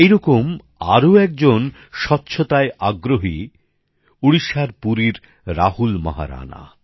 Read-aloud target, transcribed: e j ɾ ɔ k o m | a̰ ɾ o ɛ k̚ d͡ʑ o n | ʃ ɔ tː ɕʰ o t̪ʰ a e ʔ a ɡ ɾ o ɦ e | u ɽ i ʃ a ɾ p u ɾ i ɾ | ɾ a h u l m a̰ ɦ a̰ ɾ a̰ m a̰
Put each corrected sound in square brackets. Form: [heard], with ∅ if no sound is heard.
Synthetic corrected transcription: e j ɾ ɔ k o m | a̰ ɾ o ɛ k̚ d͡ʑ o n | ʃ ɔ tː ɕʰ o [t̪] a e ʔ a ɡ ɾ o ɦ [i] | u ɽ i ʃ a ɾ p u ɾ i ɾ | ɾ a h u l m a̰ ɦ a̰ ɾ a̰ [n] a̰